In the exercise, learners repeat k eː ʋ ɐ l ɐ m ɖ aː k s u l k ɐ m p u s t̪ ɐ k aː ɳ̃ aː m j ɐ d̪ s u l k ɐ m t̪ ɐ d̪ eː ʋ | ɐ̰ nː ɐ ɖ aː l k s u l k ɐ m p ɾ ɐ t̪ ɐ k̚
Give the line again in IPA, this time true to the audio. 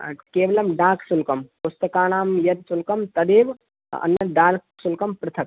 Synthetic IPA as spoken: k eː ʋ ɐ l ɐ m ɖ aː k s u l k ɐ m p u s t̪ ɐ k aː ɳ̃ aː m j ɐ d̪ s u l k ɐ m t̪ ɐ d̪ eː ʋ | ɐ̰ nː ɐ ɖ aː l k s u l k ɐ m p ɾ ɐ t̪ʰ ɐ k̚